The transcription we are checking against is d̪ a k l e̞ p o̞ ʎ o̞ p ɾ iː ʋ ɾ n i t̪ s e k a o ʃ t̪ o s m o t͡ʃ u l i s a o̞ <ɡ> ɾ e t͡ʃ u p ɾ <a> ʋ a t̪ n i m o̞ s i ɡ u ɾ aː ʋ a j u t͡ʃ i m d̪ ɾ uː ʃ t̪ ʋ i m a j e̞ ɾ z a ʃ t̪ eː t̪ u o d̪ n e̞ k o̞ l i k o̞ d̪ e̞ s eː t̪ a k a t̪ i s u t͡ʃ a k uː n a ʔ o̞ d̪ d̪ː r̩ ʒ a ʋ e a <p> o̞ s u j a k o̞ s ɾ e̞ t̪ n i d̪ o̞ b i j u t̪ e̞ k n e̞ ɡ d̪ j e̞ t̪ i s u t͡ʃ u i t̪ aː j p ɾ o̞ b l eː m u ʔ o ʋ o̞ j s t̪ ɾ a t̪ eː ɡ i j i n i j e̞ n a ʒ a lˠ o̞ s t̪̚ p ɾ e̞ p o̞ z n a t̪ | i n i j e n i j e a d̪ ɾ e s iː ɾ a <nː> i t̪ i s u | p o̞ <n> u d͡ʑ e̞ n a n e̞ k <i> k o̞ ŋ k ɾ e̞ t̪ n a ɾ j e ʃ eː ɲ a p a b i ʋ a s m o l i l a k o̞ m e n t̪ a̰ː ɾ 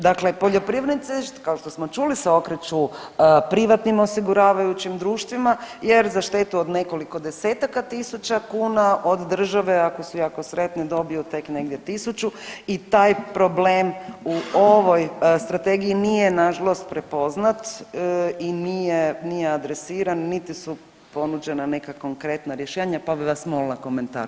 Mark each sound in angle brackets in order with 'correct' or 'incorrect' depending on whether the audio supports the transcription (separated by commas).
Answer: incorrect, incorrect, incorrect, correct, correct, incorrect